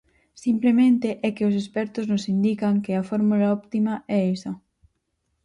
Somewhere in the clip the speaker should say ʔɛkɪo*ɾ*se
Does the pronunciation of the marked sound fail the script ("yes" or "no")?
yes